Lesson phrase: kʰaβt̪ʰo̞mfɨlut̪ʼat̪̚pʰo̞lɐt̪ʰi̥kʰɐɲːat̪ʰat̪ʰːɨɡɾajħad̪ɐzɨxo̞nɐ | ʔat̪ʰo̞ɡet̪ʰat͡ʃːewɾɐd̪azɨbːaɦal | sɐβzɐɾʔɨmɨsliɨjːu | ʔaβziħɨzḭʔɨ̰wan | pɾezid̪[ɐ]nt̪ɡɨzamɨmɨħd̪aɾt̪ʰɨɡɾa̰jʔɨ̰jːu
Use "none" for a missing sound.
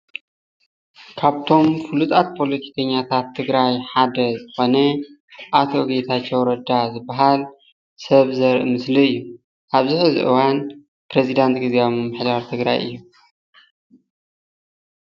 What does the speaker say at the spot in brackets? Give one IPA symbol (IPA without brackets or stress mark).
a